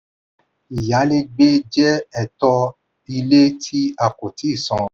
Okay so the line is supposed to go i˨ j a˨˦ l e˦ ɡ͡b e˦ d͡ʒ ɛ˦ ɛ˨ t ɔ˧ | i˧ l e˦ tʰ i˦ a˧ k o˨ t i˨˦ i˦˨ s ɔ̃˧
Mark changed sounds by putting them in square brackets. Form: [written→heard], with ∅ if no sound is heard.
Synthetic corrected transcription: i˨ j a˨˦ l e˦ ɡ͡b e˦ d͡ʒ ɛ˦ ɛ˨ t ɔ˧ | i˧ l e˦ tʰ i˦ a˧ k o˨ t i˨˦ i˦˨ s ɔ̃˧